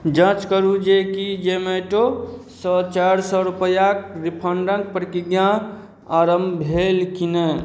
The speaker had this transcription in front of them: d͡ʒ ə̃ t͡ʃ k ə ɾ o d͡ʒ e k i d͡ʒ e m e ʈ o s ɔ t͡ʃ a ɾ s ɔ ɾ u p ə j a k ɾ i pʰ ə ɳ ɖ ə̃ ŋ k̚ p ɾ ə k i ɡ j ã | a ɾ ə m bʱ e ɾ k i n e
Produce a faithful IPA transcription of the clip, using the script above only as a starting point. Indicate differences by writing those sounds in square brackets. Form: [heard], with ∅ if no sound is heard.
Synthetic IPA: d͡ʒ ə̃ t͡ʃ k ə ɾ [u] d͡ʒ e k i d͡ʒ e m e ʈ o s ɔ t͡ʃ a ɾ s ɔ ɾ u p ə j a k ɾ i pʰ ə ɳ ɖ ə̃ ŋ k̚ p ɾ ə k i ɡ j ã | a ɾ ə m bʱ e [l] k i n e